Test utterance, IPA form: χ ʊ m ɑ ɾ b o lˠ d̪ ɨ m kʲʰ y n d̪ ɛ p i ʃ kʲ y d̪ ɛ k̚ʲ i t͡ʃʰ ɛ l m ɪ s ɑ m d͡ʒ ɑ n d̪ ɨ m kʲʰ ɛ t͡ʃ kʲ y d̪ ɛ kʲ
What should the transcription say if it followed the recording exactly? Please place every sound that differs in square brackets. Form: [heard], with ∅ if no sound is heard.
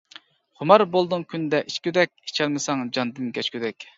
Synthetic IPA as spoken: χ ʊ m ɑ ɾ b o lˠ d̪ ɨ [ŋ] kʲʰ y n d̪ ɛ [ʔ] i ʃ kʲ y d̪ ɛ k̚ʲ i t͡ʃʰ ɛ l m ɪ s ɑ [ŋ] d͡ʒ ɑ n d̪ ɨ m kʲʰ ɛ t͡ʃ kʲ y d̪ ɛ kʲ